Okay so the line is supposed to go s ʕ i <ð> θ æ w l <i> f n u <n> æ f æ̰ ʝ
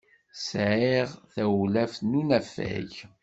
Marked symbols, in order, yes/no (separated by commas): no, no, yes